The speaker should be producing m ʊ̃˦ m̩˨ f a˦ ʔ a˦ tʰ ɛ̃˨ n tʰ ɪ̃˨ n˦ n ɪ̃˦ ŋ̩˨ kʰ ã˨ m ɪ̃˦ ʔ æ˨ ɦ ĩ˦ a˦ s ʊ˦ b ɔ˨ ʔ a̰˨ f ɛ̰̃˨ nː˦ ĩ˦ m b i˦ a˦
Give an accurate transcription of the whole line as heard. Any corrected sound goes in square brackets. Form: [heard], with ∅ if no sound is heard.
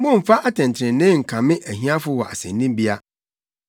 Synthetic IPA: m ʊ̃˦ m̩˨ f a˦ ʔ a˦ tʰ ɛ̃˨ n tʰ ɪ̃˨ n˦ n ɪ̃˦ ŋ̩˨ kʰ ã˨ m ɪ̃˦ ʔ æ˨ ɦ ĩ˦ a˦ [f] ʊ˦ [w] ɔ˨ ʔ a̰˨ [s] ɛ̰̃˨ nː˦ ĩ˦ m b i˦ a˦